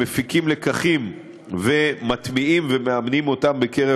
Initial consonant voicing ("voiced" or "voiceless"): voiceless